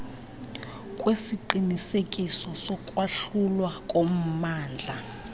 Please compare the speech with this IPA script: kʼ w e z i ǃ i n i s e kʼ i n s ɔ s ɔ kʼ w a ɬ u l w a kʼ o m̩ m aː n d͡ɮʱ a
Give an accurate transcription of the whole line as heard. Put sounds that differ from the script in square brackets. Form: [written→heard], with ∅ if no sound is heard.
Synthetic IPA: kʼ w e [z→s] i ǃ i n i s e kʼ i [n→∅] s ɔ s ɔ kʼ w a ɬ u l w a kʼ o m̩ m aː n d͡ɮʱ a